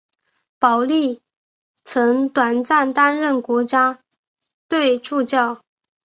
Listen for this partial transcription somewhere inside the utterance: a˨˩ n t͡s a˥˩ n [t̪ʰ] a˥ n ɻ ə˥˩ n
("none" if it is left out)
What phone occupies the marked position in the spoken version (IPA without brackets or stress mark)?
t̪